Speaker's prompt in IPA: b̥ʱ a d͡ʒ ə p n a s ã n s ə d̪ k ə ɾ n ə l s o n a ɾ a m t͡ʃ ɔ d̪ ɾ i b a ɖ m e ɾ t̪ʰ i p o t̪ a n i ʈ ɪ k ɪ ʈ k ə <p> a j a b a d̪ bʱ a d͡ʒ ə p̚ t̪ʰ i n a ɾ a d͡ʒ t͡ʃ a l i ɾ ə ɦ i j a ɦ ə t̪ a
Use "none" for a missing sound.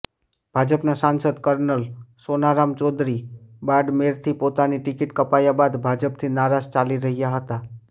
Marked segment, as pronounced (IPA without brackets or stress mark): p